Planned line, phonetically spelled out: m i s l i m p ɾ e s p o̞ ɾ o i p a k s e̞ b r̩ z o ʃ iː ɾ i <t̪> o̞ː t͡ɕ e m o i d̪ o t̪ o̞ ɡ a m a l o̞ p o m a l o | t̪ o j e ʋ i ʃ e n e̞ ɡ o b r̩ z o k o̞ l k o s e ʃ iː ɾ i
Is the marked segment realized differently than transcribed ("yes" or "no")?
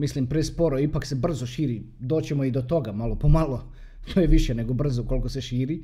yes